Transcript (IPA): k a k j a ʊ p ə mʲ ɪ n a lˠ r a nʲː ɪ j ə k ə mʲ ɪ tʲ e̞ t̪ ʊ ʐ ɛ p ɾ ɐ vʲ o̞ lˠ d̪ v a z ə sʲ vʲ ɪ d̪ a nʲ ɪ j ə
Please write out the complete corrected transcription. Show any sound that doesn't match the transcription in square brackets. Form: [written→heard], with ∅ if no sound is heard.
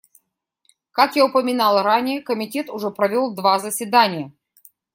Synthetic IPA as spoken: k a k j a ʊ p ə mʲ ɪ n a lˠ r a [nʲː→nʲ] ɪ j ə k ə mʲ ɪ tʲ e̞ t̪ ʊ ʐ ɛ p ɾ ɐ vʲ o̞ lˠ d̪ v a z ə sʲ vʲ ɪ d̪ a nʲ ɪ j ə